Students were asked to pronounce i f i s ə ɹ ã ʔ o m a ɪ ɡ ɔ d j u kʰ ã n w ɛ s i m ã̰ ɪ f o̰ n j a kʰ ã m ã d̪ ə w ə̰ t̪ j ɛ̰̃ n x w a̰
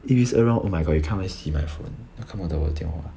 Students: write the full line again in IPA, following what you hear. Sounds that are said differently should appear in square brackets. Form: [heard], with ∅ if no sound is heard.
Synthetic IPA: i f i s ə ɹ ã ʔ o m a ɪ ɡ ɔ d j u kʰ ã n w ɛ s i m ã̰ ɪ f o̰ n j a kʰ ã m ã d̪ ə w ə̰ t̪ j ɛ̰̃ n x w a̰